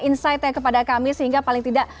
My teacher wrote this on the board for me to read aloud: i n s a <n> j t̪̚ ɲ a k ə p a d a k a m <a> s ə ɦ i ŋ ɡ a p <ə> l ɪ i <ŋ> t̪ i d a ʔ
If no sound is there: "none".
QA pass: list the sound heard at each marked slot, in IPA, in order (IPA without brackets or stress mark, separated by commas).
none, i, a, ŋ